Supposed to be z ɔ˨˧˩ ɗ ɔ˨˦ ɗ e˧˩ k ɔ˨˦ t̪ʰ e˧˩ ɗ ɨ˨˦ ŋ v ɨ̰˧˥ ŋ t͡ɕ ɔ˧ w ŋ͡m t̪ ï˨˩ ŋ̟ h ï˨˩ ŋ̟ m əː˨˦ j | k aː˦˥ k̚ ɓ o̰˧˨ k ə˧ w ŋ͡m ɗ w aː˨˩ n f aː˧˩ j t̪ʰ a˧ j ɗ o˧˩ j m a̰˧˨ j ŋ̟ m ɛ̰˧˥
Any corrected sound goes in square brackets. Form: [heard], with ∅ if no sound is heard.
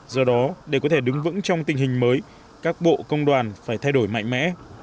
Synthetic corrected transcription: z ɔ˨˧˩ ɗ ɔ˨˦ ɗ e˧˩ k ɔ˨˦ t̪ʰ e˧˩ ɗ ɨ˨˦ ŋ v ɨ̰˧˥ ŋ t͡ɕ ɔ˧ w ŋ͡m t̪ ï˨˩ ŋ̟ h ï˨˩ ŋ̟ m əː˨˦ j | k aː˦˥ k̚ ɓ o̰˧˨ k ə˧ w ŋ͡m ɗ w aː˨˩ n f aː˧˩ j t̪ʰ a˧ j ɗ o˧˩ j m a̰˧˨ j ŋ̟ m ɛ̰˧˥